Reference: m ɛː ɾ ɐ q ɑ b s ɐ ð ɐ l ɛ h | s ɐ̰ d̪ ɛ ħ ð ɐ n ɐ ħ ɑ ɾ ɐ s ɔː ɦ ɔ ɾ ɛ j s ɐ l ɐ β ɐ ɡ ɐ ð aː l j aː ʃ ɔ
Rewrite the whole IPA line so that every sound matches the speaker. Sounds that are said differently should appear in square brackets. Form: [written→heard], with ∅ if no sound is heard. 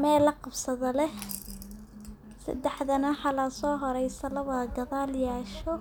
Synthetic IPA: m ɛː [ɾ→l] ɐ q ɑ b s ɐ ð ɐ l ɛ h | s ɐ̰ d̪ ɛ ħ ð ɐ n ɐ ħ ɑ [ɾ→l] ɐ s ɔː ɦ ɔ ɾ ɛ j s ɐ l ɐ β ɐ ɡ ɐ ð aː l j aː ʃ ɔ